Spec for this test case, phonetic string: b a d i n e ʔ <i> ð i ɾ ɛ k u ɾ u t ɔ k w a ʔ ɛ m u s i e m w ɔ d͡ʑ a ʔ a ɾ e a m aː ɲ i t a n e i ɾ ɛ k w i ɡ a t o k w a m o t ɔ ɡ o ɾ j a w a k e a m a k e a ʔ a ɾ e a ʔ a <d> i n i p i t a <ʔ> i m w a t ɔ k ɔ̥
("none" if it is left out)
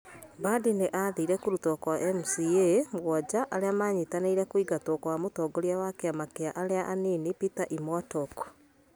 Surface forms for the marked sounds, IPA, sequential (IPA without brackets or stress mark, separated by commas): a, n, ʔ